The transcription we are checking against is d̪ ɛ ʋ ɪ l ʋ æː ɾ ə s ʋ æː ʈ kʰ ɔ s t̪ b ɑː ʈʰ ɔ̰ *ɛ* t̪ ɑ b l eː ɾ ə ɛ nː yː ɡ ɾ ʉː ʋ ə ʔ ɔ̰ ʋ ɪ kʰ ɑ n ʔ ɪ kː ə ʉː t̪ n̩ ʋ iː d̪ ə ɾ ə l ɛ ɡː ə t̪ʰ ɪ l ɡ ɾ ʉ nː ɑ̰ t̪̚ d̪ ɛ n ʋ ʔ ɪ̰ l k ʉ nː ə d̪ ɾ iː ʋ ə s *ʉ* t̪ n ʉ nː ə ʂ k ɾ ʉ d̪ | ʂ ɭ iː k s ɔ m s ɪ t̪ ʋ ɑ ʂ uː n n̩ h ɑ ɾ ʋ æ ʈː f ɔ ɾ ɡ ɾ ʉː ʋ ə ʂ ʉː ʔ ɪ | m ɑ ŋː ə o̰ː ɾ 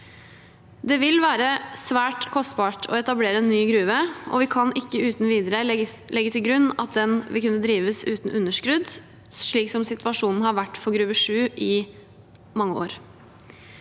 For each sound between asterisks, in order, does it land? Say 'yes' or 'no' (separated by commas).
yes, no